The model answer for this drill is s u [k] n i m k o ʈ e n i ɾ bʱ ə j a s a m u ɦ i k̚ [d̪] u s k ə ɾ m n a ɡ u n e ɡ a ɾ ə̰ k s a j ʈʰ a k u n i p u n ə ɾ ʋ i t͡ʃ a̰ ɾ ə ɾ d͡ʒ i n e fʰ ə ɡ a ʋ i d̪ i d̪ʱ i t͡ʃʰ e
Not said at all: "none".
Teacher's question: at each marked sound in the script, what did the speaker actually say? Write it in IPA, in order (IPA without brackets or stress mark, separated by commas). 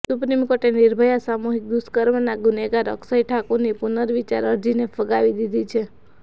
p, d̪